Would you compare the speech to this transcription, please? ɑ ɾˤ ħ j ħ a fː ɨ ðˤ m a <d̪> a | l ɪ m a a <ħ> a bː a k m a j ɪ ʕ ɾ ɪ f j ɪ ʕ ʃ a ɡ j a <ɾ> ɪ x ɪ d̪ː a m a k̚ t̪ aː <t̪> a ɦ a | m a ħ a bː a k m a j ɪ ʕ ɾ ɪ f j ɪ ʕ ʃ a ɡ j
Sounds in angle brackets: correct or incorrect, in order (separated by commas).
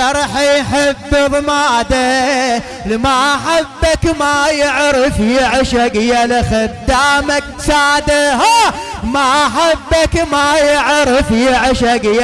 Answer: correct, correct, incorrect, incorrect